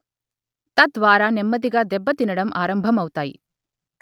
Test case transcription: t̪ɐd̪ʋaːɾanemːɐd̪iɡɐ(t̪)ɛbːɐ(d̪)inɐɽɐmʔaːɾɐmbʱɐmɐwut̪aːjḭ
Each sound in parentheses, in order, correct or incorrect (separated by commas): incorrect, incorrect